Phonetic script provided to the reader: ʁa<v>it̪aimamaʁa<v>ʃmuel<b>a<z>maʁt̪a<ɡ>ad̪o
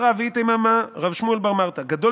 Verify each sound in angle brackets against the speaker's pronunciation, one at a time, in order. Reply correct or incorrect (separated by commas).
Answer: correct, correct, correct, incorrect, correct